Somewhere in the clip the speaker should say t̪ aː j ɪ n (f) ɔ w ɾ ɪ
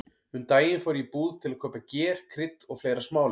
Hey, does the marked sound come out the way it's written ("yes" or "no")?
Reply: yes